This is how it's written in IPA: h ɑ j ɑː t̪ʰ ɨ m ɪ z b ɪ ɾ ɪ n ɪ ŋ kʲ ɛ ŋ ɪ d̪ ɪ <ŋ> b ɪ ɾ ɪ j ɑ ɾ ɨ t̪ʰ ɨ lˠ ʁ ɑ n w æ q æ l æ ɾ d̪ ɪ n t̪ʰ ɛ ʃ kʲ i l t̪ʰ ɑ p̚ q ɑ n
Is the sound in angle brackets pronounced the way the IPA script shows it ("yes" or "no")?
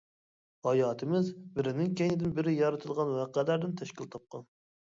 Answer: no